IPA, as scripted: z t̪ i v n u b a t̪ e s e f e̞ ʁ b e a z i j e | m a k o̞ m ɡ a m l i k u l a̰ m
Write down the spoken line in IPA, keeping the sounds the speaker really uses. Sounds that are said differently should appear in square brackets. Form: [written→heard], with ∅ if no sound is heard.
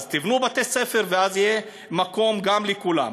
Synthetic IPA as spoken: z t̪ i v n u b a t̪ e s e f e̞ ʁ [b→v] e a z i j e | m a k o̞ m ɡ a m l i k u l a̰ m